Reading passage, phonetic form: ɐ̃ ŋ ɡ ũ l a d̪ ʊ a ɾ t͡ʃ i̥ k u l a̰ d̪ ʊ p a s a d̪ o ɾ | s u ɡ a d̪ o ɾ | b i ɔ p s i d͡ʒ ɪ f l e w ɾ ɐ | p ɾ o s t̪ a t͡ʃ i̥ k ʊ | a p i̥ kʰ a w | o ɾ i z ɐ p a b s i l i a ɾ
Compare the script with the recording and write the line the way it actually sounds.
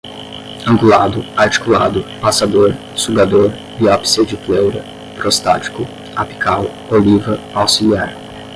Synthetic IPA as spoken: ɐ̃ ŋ ɡ u l a d̪ ʊ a ɾ t͡ʃ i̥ k u l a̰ d̪ ʊ p a s a d̪ o ɾ | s u ɡ a d̪ o ɾ | b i ɔ p s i d͡ʒ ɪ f l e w ɾ ɐ | p ɾ o s t̪ a t͡ʃ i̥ k ʊ | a p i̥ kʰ a w | o l i v ɐ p a w s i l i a ɾ